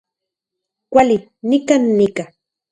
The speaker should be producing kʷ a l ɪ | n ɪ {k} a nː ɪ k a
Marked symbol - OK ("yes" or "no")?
yes